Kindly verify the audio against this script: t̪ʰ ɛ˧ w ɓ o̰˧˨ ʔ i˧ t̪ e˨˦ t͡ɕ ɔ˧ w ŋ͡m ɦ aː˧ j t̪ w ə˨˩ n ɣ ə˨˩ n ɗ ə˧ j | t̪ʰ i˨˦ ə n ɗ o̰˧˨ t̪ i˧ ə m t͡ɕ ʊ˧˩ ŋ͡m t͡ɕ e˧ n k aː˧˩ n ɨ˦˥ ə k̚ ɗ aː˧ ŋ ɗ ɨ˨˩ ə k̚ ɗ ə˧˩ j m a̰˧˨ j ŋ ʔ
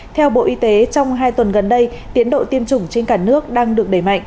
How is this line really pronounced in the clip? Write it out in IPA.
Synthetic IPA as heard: t̪ʰ ɛ˧ w ɓ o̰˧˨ ʔ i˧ t̪ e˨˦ t͡ɕ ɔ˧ w ŋ͡m ɦ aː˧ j t̪ w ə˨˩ n ɣ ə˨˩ n ɗ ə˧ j | t̪ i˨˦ ə n ɗ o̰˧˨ t̪ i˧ ə m t͡ɕ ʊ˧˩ ŋ͡m t͡ɕ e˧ n k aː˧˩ n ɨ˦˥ ə k̚ ɗ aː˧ ŋ ɗ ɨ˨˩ ə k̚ ɗ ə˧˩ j m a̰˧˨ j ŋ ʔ